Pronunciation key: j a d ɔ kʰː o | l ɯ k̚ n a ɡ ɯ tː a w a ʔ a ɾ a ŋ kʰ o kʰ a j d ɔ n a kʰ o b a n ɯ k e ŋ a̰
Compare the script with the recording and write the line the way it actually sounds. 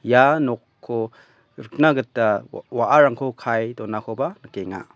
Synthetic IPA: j a n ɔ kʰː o | ɾ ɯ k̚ n a ɡ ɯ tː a w a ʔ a ɾ a ŋ kʰ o kʰ a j d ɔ n a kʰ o b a n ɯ k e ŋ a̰